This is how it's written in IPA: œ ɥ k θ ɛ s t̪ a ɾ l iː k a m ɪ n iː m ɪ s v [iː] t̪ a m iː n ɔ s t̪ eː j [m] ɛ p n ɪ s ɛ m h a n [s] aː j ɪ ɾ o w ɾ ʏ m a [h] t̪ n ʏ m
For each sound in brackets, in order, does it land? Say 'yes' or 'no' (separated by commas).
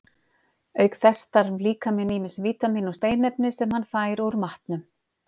yes, no, no, yes